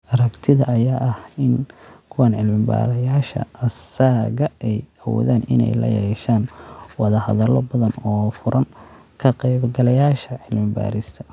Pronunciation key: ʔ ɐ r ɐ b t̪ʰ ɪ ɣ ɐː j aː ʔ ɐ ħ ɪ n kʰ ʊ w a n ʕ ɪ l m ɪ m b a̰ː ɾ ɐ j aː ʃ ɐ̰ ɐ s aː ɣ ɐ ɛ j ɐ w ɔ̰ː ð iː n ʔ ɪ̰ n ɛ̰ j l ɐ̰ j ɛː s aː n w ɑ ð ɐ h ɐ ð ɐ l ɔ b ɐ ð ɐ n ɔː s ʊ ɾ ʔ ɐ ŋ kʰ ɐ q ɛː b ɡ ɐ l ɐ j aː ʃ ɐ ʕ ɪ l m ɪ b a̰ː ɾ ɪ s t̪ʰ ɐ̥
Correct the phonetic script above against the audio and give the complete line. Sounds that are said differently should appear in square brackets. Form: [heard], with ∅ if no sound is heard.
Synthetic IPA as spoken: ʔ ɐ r ɐ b t̪ʰ ɪ [ð] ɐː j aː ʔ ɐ [h] ɪ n kʰ ʊ w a n ʕ ɪ l m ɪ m b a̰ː ɾ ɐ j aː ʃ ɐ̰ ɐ s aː ɣ ɐ ɛ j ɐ w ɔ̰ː ð [aː] n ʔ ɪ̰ n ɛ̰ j l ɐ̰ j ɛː [ʃ] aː n w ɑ ð ɐ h ɐ ð ɐ l ɔ b ɐ ð ɐ n ɔː [f] ʊ ɾ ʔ ɐ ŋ kʰ ɐ q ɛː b ɡ ɐ l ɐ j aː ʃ ɐ ʕ ɪ l m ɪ b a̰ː ɾ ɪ s t̪ʰ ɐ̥